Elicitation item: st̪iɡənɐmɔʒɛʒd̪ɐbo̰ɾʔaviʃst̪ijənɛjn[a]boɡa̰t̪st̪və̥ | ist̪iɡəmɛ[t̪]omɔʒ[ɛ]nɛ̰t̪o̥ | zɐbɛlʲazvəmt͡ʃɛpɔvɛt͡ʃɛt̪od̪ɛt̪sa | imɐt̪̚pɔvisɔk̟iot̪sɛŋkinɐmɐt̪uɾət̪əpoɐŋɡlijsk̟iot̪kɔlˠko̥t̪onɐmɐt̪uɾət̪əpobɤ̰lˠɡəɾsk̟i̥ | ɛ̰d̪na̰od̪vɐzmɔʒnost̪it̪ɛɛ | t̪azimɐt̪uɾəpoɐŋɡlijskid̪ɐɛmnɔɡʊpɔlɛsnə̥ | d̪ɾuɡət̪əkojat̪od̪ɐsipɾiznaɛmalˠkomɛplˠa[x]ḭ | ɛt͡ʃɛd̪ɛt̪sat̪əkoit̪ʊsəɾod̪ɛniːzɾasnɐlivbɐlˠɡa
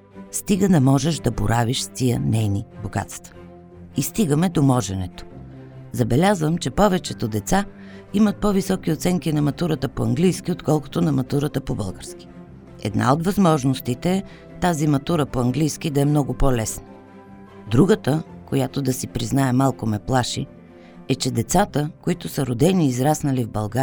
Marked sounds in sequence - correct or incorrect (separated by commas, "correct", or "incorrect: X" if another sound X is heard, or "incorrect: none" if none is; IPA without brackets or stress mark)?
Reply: incorrect: i, incorrect: d̪, correct, incorrect: ʃ